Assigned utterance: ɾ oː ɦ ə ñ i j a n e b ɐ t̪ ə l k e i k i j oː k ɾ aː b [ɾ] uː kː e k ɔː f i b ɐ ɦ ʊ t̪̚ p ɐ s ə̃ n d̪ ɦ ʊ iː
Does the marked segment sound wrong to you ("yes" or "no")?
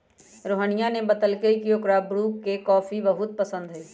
no